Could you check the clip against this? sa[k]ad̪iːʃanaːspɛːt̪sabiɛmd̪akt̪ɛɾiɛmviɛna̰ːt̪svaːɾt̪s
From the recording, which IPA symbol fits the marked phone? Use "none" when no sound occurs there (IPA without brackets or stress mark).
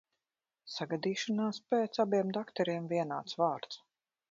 ɡ